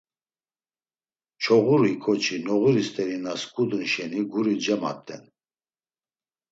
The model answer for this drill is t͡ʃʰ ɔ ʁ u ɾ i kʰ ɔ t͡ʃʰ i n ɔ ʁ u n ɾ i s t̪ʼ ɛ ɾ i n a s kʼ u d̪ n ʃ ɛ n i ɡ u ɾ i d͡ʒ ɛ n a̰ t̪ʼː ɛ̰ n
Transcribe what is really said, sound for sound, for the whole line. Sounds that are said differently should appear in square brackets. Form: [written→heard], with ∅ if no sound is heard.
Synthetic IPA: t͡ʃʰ ɔ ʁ u ɾ i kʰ ɔ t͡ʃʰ i n ɔ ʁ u [n→∅] ɾ i s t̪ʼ ɛ ɾ i n a s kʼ u d̪ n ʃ ɛ n i ɡ u ɾ i d͡ʒ ɛ [n→m] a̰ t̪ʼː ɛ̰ n